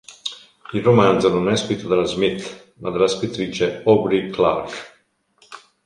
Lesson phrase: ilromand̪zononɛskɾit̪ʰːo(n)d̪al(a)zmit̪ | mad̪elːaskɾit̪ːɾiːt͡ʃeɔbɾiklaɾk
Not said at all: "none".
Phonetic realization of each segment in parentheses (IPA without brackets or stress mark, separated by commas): none, a